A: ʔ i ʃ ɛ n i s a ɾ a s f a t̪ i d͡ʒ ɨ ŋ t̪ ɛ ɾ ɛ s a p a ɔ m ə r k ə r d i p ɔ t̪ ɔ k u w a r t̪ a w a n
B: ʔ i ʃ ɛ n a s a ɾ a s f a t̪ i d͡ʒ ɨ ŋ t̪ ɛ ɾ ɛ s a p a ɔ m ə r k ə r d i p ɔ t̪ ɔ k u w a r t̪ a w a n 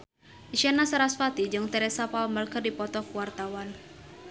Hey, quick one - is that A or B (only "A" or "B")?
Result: B